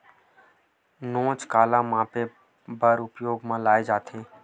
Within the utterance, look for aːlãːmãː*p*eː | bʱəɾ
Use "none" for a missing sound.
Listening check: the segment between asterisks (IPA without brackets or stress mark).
p